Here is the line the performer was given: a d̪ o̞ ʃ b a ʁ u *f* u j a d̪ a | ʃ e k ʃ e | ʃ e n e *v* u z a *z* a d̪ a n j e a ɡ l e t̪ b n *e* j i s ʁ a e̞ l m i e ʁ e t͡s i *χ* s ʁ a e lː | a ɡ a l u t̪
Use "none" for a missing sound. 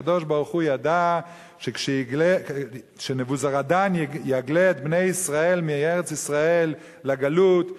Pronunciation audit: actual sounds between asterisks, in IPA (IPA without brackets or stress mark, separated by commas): χ, v, ʁ, e, none